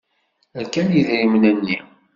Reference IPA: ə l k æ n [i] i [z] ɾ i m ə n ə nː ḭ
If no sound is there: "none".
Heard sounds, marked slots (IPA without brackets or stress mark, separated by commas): j, ð